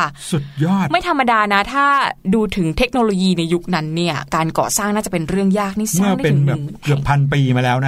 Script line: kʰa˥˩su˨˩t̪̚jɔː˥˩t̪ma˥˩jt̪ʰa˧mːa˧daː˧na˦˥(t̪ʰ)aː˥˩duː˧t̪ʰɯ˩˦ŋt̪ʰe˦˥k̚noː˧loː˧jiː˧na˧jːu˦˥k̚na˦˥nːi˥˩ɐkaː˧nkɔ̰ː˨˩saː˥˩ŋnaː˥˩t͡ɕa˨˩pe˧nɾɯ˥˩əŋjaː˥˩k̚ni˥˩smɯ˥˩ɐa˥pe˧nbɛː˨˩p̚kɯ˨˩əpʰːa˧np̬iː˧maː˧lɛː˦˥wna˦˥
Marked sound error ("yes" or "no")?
no